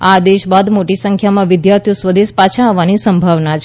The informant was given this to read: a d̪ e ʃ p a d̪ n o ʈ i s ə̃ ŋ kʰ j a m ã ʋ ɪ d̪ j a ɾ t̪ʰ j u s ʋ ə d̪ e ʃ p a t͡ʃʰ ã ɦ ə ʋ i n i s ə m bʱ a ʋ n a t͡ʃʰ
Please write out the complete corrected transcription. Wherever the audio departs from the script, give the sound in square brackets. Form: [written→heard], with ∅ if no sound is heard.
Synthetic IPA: a d̪ e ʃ [p→b] a d̪ [n→m] o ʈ i s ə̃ ŋ kʰ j a m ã ʋ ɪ d̪ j a ɾ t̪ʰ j u s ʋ ə d̪ e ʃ p a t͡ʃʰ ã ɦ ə ʋ [i→a] n i s ə m bʱ a ʋ n a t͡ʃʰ